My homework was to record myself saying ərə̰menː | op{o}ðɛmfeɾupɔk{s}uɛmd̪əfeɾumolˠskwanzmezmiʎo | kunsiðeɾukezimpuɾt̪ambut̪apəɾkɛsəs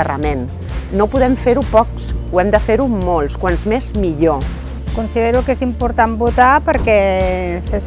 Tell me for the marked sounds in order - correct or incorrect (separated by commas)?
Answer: incorrect, correct